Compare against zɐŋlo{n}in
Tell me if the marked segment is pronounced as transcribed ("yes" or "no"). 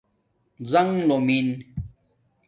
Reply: no